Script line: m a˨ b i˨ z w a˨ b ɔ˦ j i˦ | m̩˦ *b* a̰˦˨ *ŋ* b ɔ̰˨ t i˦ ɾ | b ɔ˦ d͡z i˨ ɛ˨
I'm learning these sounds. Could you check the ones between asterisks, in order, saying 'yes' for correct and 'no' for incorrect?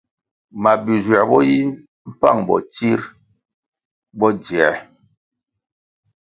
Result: no, yes

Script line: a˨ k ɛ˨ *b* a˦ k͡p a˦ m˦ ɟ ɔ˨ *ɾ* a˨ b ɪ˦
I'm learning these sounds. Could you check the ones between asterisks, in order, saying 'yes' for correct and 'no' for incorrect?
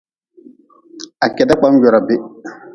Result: no, yes

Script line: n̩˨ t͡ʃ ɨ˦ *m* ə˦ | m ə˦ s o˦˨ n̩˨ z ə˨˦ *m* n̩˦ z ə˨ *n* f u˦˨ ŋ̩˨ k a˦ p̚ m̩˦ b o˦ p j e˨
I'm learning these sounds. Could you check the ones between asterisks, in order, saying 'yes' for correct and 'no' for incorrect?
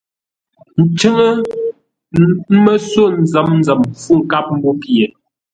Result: no, yes, no

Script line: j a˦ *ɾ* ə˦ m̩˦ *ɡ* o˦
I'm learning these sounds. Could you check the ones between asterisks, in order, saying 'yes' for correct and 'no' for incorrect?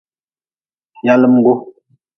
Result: no, yes

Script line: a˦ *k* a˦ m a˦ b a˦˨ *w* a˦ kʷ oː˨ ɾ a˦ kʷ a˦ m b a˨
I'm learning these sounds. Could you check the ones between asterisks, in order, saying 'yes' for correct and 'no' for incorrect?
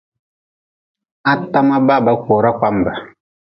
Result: no, no

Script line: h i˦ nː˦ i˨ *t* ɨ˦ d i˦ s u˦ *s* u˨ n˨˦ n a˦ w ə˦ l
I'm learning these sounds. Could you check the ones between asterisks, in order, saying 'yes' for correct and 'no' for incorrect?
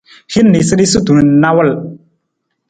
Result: no, no

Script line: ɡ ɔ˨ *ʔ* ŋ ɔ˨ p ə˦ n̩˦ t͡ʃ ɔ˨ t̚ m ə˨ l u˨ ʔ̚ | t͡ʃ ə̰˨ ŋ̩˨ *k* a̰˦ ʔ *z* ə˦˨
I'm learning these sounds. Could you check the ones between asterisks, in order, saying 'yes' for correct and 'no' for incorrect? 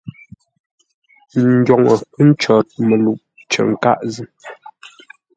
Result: no, yes, yes

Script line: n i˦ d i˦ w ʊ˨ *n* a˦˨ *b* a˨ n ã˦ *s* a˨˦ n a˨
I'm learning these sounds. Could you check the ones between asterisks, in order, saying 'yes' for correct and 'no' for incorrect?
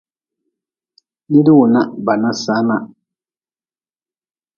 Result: yes, yes, yes

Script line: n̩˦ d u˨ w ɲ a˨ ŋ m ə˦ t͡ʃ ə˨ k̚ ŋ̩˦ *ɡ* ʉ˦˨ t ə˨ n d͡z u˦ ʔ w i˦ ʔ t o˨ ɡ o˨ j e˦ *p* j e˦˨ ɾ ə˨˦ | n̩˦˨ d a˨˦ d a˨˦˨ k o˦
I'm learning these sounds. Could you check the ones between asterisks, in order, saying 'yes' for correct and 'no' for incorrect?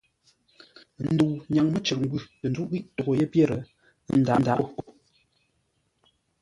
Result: yes, yes

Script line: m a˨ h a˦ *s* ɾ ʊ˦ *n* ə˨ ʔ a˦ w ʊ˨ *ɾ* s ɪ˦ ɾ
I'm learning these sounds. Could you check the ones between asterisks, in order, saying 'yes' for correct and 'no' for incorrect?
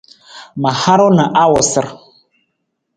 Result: no, yes, no

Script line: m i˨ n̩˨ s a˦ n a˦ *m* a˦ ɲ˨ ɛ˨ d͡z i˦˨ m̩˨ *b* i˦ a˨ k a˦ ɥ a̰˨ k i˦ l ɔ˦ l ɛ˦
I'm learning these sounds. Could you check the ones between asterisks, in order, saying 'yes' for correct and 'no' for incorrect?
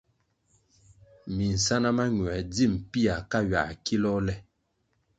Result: yes, no

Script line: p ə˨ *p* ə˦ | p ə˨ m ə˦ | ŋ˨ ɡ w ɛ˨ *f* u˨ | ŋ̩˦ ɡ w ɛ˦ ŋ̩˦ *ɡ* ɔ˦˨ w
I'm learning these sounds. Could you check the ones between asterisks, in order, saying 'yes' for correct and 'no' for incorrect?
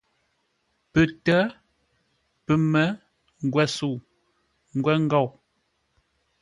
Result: no, no, yes

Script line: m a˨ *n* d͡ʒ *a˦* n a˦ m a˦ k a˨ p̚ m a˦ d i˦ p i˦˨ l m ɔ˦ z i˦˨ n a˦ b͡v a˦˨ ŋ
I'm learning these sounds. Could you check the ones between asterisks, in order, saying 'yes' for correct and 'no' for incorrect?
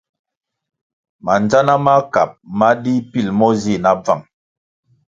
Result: yes, yes

